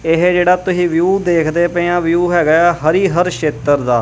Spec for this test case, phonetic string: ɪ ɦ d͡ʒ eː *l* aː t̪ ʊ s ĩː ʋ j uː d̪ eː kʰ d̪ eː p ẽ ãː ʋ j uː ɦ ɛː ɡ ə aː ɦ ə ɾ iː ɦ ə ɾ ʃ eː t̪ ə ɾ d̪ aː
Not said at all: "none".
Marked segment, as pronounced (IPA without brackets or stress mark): ɽ